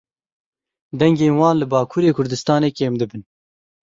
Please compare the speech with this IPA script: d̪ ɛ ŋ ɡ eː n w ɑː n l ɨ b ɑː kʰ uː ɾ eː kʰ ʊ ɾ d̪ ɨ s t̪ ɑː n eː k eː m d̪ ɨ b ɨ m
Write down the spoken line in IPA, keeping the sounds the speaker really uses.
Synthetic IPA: d̪ ɛ ŋ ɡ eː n w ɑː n l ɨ b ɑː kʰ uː ɾ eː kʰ ʊ ɾ d̪ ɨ s t̪ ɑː n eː k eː m d̪ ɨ b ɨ n